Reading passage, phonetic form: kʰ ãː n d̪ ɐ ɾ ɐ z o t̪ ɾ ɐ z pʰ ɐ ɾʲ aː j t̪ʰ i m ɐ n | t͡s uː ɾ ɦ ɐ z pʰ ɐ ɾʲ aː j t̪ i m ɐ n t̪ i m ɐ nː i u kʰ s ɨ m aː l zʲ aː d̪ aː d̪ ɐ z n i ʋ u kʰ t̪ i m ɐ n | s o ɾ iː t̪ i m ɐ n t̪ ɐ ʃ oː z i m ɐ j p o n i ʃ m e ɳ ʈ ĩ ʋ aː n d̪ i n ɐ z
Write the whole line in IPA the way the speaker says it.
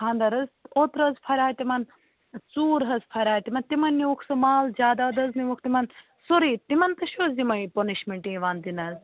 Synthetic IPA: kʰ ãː n d̪ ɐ ɾ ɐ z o t̪ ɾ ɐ z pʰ ɐ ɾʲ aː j t̪ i m ɐ n | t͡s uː ɾ ɦ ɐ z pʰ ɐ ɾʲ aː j t̪ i m ɐ n t̪ i m ɐ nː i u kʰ s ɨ m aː l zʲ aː d̪ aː d̪ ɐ z n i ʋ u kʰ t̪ i m ɐ n | s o ɾ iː t̪ i m ɐ n t̪ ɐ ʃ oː z i m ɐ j p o n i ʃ m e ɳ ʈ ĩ ʋ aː n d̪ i n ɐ z